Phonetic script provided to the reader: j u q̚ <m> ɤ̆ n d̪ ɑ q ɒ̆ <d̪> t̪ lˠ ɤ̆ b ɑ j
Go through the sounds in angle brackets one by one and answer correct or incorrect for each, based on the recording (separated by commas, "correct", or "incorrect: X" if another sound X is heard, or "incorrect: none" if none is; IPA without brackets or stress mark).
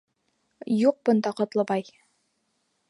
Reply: incorrect: b, incorrect: none